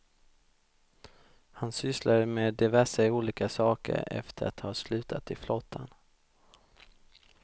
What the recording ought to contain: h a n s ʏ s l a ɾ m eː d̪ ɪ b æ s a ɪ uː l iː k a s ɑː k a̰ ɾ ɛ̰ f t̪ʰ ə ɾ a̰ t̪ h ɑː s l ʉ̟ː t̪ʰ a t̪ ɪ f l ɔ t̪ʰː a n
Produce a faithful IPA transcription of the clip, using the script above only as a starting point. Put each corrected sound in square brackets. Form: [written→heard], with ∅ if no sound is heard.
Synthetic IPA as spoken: h a n s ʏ s l a ɾ m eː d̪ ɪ [b→v] æ [s→ʂ] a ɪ uː l iː k a s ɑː k [a̰→ə̰] ɾ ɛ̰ f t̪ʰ ə ɾ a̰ t̪ h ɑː s l ʉ̟ː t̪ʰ a t̪ ɪ f l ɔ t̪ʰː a n